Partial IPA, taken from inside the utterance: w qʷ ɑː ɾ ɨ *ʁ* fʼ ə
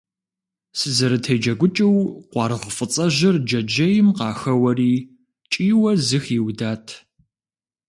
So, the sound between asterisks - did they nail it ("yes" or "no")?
yes